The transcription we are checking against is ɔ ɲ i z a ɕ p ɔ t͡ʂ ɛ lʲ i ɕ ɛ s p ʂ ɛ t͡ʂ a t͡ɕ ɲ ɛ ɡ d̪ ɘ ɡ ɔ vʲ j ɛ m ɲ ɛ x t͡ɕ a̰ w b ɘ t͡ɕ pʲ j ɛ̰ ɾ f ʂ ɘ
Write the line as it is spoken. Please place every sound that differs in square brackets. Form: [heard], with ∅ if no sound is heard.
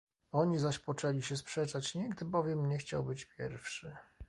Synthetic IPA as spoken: ɔ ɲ i z a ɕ p ɔ t͡ʂ ɛ lʲ i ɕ ɛ s p ʂ ɛ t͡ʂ a t͡ɕ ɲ ɛ ɡ d̪ ɘ [b] ɔ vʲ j ɛ m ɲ ɛ x t͡ɕ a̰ w b ɘ t͡ɕ pʲ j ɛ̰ ɾ f ʂ ɘ